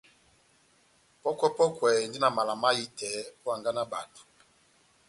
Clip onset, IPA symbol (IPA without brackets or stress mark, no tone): p